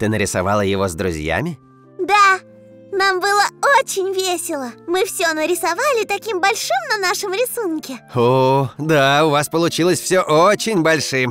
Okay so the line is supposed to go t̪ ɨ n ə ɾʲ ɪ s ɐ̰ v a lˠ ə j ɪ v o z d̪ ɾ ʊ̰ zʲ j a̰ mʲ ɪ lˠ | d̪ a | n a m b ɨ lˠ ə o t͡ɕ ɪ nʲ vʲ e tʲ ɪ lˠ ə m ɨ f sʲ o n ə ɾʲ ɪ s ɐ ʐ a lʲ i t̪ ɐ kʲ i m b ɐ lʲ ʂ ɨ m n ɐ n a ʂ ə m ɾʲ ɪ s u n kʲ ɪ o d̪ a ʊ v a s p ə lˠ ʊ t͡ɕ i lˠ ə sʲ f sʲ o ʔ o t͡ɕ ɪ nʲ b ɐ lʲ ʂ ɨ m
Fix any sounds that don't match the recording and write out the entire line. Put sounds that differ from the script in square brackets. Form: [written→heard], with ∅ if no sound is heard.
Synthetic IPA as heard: t̪ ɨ n ə ɾʲ ɪ s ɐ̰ v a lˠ ə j ɪ v o z d̪ ɾ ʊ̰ zʲ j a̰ mʲ ɪ [lˠ→∅] | d̪ a | n a m b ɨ lˠ ə o t͡ɕ ɪ nʲ vʲ e [tʲ→sʲ] ɪ lˠ ə m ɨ f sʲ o n ə ɾʲ ɪ s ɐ [ʐ→v] a lʲ [i→ɪ] t̪ ɐ kʲ i m b ɐ lʲ ʂ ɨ m n ɐ n a ʂ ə m ɾʲ ɪ s u n kʲ ɪ o d̪ a ʊ v a s p ə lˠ ʊ t͡ɕ i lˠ ə sʲ f sʲ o ʔ o t͡ɕ ɪ nʲ b ɐ lʲ ʂ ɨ m